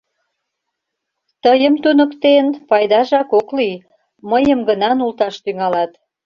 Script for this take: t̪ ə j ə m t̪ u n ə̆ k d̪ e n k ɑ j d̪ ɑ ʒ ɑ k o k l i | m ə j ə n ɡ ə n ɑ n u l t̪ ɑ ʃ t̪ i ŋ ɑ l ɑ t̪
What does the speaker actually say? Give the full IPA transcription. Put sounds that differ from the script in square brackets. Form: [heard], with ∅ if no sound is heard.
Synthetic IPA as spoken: t̪ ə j ə m t̪ u n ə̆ k [t̪] e n [p] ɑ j d̪ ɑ ʒ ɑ k o k l i | m ə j ə [m] ɡ ə n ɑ n u l t̪ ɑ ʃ t̪ [y] ŋ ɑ l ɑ t̪